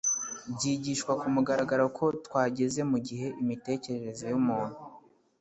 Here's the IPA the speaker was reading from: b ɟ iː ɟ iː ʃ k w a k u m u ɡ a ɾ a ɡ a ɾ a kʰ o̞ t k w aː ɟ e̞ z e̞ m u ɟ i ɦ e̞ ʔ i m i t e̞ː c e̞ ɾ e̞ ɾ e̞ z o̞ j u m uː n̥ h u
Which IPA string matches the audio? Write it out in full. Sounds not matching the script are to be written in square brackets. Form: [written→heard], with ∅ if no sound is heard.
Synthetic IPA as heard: b ɟ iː ɟ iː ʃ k w a k u m u ɡ a ɾ a ɡ a ɾ a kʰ o̞ t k w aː ɟ e̞ z e̞ m u ɟ i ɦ e̞ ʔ i m i t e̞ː c e̞ ɾ e̞ ɾ e̞ z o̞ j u m uː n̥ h u